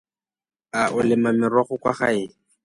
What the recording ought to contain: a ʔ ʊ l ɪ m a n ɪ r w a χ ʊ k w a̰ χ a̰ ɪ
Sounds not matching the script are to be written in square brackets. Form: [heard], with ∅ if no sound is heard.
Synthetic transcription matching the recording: a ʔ ʊ l ɪ m a [m] ɪ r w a χ ʊ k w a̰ χ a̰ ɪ

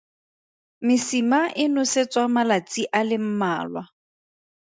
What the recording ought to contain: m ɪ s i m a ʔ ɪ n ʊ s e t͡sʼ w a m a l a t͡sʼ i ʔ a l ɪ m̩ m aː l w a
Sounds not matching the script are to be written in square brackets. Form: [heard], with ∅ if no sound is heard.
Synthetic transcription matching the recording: m ɪ s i m a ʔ ɪ n ʊ s e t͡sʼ w a m a l a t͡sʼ i ʔ a l ɪ m̩ m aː l w a

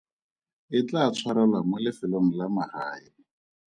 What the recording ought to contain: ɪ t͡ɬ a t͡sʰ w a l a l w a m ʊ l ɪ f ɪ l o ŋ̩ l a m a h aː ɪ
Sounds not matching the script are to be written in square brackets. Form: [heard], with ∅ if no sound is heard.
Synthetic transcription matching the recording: ɪ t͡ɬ a t͡sʰ w a [ɾ] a l w a m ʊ l ɪ f ɪ l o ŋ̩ l a m a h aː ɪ

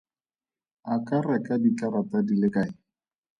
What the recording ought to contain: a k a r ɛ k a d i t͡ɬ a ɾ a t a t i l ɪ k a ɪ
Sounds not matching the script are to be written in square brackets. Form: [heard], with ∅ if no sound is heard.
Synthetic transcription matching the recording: a k a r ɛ k a d i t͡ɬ a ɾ a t a [d] i l ɪ k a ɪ

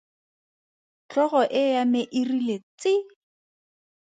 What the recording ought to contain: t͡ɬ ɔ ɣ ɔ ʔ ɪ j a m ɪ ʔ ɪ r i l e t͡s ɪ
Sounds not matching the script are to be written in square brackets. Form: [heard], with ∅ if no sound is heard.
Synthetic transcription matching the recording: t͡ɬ ɔ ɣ ɔ ʔ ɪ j a m ɪ ʔ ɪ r i l e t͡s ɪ

